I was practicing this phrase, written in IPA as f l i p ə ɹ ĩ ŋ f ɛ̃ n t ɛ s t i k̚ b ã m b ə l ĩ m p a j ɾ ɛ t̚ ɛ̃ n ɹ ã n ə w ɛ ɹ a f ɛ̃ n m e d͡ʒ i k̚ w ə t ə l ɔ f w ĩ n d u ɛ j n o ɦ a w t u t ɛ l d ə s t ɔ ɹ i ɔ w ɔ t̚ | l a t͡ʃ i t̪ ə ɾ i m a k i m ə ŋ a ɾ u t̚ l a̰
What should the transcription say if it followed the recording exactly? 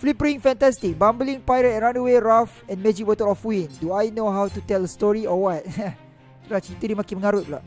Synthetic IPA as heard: f l i p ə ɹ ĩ ŋ f ɛ̃ n t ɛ s t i k̚ b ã m b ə l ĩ ŋ p a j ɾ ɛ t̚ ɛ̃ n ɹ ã n ə w e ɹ a f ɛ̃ n m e d͡ʒ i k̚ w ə t ə l ɔ f w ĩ n d u a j n o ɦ a w t u t ɛ l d ə s t ɔ ɹ i ɔ w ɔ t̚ | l a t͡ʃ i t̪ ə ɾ i m a k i m ə ŋ a ɾ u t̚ l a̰